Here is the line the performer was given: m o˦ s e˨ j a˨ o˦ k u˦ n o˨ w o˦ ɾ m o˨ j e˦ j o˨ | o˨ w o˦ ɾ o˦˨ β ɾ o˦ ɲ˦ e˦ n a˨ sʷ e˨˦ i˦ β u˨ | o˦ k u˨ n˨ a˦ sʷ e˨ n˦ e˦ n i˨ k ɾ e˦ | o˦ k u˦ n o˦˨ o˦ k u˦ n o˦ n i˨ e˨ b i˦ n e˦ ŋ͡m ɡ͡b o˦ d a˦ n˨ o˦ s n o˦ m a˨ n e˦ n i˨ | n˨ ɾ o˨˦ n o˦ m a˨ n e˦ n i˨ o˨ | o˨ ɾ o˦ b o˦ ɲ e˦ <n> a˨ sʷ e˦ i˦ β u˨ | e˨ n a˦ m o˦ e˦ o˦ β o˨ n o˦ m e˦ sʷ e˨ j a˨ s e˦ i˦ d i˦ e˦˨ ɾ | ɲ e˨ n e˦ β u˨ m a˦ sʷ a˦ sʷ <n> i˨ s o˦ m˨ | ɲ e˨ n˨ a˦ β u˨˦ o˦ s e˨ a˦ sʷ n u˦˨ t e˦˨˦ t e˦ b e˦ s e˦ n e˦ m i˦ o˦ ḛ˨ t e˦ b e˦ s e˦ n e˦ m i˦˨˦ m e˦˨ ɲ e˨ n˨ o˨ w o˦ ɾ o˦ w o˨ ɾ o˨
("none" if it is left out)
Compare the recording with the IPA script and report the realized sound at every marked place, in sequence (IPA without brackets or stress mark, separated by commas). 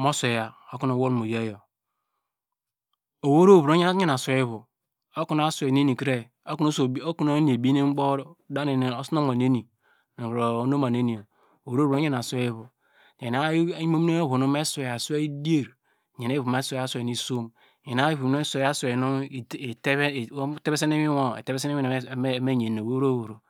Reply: n, n